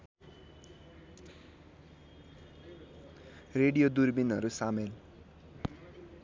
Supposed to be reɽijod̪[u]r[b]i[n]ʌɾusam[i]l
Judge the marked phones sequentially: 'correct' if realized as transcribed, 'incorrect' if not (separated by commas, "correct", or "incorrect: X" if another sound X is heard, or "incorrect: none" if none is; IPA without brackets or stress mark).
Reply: correct, correct, correct, incorrect: e